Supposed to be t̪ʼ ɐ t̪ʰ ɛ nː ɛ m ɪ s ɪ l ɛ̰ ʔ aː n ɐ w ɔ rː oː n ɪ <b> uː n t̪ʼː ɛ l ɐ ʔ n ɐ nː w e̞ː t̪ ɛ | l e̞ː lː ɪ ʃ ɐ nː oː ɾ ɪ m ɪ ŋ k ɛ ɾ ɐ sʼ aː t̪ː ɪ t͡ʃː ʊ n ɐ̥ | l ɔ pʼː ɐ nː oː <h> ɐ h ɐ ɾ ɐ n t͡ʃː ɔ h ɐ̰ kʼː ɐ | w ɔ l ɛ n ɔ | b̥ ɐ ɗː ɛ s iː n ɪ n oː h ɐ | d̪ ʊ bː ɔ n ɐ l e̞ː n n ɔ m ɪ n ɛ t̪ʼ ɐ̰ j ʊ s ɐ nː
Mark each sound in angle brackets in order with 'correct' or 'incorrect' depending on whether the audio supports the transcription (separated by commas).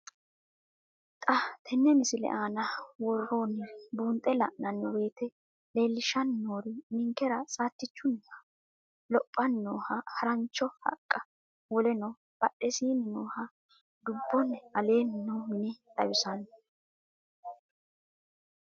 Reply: correct, correct